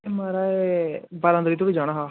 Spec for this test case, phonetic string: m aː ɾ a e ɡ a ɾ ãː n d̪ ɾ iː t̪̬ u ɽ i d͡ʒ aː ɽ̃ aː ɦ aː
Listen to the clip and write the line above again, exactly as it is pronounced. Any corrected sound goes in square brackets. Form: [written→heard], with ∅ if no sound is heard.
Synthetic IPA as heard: m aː ɾ a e [ɡ→b] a ɾ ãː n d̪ ɾ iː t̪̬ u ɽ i d͡ʒ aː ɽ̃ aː ɦ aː